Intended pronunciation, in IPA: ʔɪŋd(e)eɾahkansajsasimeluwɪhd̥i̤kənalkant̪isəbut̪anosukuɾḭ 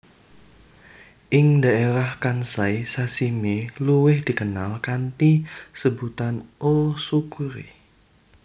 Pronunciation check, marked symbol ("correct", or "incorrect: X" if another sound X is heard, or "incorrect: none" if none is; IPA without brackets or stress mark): incorrect: a